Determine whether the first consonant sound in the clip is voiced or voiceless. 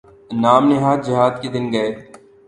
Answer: voiced